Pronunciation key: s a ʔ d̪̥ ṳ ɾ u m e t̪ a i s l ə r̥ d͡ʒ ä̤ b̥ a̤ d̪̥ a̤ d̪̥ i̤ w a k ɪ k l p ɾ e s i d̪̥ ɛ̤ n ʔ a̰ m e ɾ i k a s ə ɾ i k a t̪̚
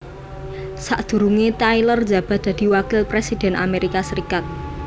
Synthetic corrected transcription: s a ʔ d̪̥ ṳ ɾ u ŋ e t̪ a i l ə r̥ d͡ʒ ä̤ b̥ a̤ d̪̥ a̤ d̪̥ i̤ w a k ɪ l p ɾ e s i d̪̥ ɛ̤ n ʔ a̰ m e ɾ i k a s ə ɾ i k a t̪̚